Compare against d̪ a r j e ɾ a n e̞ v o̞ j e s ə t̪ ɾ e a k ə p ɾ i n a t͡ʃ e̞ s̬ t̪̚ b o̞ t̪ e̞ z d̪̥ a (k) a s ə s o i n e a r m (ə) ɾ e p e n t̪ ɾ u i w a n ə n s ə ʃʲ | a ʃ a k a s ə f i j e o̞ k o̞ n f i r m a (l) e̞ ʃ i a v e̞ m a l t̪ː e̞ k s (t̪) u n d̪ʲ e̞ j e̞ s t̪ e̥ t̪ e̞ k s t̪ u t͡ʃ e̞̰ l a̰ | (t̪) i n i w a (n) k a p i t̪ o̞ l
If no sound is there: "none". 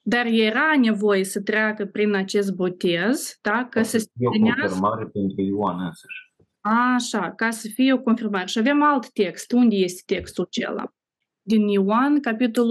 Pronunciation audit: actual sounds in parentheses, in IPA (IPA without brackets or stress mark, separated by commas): k, a, ɾ, t̪, d̪, n